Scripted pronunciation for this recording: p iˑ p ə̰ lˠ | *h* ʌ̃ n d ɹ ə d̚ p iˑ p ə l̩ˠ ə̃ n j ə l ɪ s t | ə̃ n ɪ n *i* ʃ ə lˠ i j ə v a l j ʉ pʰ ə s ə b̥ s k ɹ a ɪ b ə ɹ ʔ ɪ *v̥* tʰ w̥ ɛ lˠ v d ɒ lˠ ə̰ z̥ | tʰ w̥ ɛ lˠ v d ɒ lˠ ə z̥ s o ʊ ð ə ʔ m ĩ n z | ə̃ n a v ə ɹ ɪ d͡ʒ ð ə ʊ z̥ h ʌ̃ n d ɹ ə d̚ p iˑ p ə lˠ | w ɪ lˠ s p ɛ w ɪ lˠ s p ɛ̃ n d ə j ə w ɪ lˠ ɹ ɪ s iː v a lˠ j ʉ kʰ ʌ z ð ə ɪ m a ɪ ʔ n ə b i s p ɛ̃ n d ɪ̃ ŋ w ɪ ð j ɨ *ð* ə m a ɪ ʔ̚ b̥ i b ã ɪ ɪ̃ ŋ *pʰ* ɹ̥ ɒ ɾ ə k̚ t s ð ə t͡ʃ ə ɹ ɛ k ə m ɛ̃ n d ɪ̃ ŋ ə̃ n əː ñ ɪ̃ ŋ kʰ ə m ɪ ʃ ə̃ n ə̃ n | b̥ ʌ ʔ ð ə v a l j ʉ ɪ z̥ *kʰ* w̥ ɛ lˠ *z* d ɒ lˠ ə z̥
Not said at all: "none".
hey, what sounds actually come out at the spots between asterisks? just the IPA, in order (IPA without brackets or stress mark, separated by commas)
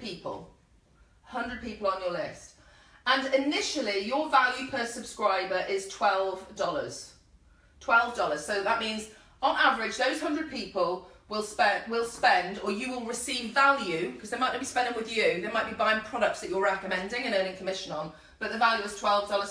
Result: h, ɪ, z̥, ð, pʰ, tʰ, v